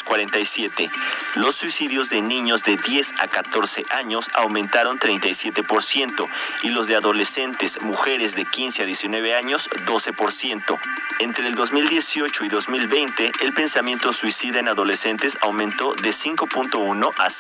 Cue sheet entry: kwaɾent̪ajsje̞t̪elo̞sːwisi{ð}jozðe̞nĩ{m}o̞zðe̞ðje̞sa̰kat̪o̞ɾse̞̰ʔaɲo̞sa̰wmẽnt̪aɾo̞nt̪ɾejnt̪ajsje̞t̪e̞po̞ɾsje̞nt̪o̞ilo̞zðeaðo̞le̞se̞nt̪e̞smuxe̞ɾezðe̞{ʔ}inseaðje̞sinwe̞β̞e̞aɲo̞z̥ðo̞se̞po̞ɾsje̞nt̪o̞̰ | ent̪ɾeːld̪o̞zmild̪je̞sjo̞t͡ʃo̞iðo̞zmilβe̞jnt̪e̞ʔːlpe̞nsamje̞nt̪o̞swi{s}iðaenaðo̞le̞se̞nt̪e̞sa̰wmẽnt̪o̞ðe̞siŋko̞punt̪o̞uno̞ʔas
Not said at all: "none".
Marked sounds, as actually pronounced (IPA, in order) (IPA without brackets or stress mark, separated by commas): ð, ɲ, k, s